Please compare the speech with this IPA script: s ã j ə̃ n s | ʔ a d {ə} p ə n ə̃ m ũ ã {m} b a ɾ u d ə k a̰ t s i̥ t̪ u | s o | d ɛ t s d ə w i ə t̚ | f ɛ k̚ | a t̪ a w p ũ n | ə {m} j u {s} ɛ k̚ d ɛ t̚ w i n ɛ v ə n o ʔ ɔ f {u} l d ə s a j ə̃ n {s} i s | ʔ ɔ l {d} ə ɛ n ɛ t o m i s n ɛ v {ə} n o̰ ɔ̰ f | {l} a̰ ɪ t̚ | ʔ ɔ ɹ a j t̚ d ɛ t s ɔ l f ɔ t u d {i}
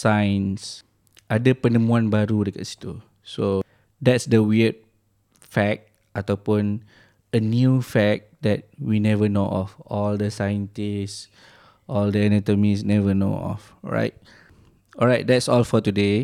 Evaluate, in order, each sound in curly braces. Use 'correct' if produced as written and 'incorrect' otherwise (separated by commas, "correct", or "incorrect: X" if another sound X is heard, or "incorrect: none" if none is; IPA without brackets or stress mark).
correct, incorrect: n, incorrect: n, incorrect: f, incorrect: ɔ, incorrect: t, correct, correct, incorrect: ɹ, incorrect: e